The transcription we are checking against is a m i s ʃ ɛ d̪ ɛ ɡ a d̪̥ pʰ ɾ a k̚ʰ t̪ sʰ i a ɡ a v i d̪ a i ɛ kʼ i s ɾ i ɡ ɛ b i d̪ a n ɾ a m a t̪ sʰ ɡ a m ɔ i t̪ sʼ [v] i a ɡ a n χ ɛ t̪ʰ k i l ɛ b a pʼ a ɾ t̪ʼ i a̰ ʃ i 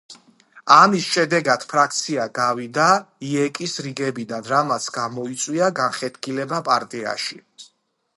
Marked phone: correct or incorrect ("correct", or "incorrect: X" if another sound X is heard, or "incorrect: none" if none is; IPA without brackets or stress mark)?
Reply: incorrect: w